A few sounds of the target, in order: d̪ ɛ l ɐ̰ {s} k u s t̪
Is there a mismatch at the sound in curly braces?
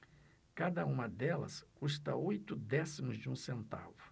no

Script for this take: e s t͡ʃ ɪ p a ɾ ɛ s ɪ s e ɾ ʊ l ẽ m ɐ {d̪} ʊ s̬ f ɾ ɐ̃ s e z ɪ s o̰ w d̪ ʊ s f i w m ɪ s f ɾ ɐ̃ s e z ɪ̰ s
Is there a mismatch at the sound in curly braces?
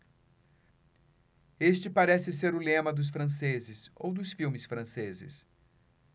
no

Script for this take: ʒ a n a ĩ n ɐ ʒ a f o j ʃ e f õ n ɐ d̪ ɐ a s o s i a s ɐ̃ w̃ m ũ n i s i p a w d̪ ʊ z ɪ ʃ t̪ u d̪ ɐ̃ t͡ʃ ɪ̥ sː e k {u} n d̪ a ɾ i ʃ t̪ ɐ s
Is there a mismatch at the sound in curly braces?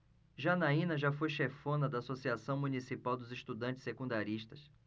yes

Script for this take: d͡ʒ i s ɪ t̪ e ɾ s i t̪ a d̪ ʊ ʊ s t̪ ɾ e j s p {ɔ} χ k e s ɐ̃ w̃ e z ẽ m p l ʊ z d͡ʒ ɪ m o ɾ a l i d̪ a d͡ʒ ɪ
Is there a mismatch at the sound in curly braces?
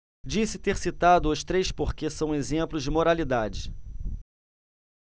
yes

